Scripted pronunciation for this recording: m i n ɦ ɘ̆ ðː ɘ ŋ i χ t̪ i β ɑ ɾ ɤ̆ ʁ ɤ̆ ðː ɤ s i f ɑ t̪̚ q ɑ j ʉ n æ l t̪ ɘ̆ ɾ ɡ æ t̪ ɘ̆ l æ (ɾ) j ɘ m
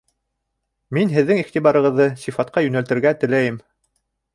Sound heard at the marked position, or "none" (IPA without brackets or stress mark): none